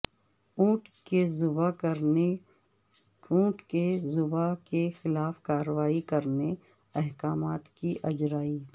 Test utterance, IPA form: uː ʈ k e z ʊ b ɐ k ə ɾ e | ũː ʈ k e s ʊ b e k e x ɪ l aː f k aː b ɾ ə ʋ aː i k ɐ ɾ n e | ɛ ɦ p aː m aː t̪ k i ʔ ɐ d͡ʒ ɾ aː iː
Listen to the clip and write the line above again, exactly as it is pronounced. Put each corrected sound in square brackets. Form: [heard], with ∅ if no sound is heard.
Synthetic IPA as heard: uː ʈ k e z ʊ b [a] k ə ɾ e | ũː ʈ k e [z] ʊ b [a] k e x ɪ l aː f k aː [∅] ɾ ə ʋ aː i k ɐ ɾ n e | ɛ ɦ [k] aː m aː t̪ k i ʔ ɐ d͡ʒ ɾ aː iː